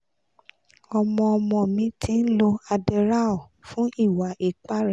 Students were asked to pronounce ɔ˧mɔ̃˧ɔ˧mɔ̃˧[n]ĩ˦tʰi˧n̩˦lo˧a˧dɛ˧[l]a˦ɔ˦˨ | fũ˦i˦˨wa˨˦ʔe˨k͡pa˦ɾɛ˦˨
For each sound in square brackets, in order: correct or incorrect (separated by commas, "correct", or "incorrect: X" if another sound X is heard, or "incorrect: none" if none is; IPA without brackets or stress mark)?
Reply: incorrect: m, incorrect: ɾ